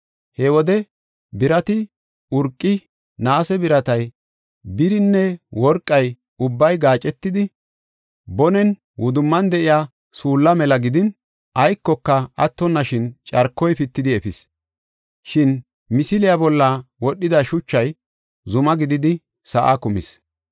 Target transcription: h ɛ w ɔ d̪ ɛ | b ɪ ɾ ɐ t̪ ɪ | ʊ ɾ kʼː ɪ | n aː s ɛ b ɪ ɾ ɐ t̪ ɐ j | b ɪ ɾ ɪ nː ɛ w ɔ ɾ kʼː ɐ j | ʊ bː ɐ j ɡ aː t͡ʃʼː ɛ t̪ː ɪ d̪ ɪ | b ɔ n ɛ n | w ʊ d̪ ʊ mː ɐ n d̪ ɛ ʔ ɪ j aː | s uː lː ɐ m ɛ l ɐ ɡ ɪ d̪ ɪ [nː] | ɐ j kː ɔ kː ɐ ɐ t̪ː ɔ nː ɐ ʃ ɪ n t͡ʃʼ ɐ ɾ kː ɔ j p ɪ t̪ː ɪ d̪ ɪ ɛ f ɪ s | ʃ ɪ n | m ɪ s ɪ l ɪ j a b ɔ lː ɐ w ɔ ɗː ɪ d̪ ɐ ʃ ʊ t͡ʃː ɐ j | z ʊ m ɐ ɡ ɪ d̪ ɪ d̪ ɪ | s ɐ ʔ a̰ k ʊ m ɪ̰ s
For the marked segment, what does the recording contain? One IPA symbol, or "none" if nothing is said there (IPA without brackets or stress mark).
n